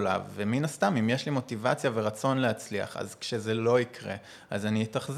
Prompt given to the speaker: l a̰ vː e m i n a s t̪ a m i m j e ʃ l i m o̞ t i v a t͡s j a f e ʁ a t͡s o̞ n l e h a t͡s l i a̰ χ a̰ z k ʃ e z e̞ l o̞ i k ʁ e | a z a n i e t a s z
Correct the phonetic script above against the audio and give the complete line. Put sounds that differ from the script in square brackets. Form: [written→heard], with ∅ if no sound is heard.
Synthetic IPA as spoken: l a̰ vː e m i n a s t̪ a m i m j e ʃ l i m o̞ t i v a t͡s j a [f→v] e ʁ a t͡s o̞ n l e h a t͡s l i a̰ χ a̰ z k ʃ e z e̞ l o̞ i k ʁ e | a z a n i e t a [s→χ] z